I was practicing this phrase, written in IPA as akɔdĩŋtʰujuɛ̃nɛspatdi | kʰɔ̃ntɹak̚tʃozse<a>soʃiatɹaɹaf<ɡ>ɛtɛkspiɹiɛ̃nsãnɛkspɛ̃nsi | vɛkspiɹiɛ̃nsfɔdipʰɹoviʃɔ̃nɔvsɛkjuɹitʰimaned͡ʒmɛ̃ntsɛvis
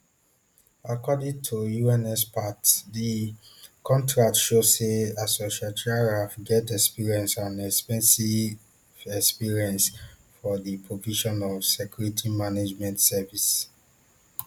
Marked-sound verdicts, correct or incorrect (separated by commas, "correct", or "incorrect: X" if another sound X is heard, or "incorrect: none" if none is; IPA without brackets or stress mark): correct, correct